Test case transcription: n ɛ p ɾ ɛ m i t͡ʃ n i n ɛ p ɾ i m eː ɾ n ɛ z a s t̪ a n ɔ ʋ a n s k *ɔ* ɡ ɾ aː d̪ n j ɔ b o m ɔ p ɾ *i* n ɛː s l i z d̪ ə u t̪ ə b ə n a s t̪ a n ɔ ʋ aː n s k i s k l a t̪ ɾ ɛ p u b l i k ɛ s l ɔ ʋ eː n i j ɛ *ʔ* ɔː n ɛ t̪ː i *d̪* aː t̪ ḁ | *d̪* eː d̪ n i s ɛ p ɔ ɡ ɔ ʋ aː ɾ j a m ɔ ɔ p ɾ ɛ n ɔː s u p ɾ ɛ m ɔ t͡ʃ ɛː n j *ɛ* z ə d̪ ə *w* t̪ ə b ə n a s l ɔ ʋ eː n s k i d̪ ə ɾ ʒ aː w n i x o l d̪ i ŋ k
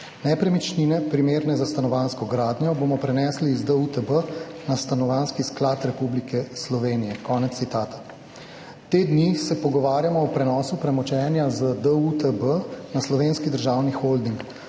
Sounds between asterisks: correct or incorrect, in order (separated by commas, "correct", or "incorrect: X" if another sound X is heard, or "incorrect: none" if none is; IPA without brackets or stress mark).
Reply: correct, incorrect: ɛ, incorrect: k, incorrect: t̪, incorrect: t̪, incorrect: a, incorrect: u